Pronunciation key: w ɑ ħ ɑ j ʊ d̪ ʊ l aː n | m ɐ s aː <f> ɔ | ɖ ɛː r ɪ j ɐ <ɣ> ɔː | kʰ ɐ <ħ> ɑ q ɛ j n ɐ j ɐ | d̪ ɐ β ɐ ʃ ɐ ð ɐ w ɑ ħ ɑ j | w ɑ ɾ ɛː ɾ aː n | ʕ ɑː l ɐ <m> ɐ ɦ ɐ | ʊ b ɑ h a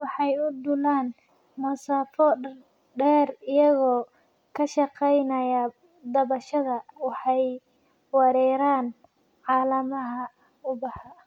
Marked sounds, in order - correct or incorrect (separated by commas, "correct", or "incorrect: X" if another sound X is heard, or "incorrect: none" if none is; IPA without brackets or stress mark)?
correct, correct, incorrect: ʃ, correct